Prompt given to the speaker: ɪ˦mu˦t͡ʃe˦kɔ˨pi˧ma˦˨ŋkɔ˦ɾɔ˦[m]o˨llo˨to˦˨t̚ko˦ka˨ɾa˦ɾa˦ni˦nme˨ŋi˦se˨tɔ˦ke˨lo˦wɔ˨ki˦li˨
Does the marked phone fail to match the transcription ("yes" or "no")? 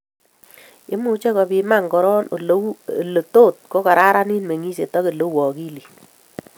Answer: yes